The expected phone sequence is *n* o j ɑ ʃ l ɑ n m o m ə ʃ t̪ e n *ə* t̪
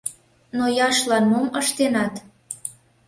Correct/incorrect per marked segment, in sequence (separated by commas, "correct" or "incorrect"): correct, incorrect